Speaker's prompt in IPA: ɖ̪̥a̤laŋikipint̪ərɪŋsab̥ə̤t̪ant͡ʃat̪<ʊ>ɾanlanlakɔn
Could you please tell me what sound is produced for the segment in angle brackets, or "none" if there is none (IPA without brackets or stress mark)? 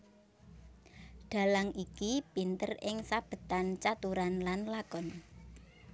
u